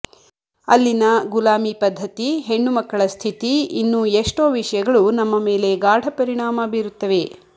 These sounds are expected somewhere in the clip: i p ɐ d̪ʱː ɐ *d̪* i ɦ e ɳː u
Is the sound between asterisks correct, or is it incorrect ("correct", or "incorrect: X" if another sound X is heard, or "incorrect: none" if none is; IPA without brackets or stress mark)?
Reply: incorrect: t̪